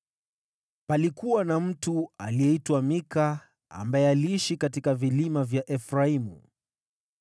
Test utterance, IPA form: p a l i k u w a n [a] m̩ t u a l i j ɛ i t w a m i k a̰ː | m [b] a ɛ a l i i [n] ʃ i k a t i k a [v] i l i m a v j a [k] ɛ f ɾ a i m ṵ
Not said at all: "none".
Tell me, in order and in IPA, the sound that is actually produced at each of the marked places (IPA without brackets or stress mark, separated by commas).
a, b, none, v, ʔ